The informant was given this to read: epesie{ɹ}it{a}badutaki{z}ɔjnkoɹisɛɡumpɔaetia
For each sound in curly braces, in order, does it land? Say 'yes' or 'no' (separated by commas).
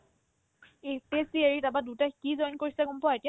yes, yes, yes